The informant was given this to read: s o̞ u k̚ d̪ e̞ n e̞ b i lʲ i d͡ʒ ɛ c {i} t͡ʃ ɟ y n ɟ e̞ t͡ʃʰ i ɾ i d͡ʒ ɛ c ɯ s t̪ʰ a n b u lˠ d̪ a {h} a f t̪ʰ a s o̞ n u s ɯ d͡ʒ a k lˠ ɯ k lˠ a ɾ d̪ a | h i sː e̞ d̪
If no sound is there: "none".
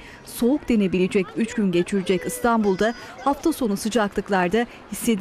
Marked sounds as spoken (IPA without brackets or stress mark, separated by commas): y, h